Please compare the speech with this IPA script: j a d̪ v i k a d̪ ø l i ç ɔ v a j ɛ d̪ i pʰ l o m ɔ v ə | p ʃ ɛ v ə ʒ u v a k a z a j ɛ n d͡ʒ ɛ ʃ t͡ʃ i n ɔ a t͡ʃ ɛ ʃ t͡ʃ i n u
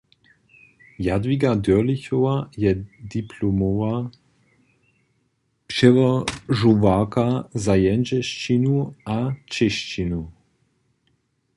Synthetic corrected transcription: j a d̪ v i ɡ a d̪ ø l i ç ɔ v a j ɛ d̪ i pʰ l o m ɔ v a | p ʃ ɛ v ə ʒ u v a k a z a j ɛ n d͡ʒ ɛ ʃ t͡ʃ i n u a t͡ʃ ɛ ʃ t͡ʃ i n u